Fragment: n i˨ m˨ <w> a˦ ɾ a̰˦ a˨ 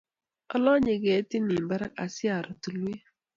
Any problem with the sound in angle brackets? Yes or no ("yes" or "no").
yes